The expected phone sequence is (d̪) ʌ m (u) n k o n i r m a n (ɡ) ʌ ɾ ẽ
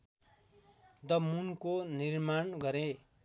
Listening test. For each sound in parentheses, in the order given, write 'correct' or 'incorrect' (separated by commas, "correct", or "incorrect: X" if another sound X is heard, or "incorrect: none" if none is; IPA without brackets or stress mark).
correct, correct, correct